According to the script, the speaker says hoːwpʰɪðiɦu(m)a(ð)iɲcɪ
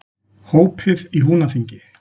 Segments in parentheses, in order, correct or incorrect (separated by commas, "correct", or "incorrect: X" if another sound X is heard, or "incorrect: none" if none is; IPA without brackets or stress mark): incorrect: n, incorrect: θ